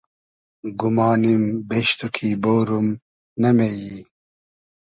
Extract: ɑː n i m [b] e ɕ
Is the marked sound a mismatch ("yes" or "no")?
no